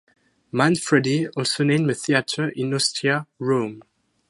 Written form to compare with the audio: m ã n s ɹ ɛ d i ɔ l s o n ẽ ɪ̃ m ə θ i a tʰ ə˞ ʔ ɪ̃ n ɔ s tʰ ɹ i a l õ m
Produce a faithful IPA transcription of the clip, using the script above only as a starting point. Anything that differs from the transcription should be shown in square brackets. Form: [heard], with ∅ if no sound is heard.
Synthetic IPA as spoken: m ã n [f] ɹ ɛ d i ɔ l s o n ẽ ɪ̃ m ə θ i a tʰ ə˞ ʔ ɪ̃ n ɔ s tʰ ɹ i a [ɹ] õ m